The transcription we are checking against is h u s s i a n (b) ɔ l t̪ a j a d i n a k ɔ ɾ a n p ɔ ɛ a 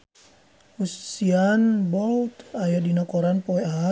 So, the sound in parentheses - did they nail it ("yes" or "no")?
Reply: yes